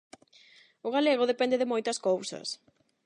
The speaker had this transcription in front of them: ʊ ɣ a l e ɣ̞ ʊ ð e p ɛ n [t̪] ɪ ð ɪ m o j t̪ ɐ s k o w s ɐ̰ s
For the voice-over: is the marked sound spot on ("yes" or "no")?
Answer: no